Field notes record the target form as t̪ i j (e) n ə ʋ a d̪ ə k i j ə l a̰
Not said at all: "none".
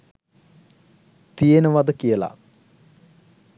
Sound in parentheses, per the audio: e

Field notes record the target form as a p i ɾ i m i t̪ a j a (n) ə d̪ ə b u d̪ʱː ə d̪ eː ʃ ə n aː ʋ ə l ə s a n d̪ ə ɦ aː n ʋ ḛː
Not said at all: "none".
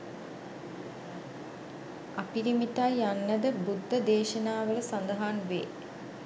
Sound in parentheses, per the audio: nː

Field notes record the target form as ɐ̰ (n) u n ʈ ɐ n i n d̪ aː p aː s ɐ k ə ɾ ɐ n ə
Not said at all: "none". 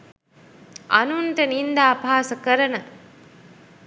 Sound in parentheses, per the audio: n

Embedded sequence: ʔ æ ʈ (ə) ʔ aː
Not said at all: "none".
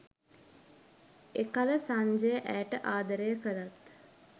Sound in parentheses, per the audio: ə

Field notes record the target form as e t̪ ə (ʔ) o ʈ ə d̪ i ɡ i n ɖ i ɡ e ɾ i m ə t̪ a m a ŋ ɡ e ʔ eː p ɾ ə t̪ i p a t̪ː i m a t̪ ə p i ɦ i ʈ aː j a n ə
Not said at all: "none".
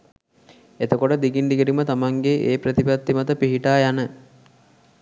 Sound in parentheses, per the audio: k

